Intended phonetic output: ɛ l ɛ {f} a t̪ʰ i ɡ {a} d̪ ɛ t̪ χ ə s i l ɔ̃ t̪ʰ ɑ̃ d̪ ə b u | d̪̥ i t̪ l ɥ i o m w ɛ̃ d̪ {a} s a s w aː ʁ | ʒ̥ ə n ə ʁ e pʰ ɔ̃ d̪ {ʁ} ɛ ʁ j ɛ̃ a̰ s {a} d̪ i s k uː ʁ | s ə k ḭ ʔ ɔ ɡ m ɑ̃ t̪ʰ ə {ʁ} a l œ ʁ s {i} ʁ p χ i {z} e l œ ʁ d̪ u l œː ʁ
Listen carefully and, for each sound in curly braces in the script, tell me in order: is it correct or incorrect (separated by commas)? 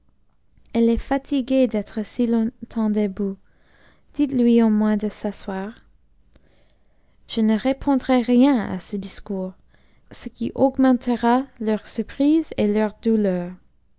correct, incorrect, incorrect, correct, incorrect, correct, incorrect, correct